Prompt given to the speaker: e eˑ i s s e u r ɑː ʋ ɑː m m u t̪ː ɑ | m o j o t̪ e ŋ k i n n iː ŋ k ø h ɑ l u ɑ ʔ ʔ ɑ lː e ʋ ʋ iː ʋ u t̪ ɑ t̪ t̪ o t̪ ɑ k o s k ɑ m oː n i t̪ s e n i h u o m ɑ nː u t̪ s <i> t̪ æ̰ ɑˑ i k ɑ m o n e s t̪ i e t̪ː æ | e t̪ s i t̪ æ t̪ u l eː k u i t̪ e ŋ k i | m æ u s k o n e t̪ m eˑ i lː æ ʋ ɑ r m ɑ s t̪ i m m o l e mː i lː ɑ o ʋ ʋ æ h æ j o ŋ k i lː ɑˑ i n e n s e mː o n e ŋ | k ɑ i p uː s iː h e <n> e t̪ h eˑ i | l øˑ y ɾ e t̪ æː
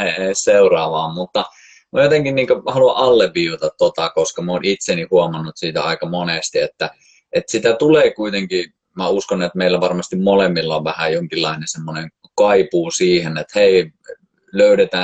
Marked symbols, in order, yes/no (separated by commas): no, yes